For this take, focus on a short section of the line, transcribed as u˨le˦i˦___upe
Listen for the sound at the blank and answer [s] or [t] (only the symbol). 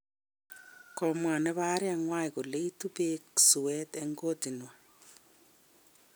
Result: t